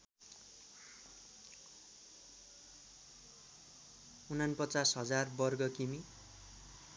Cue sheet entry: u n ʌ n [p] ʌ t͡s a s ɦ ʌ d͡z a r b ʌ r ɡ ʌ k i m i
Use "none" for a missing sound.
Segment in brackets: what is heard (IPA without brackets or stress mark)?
p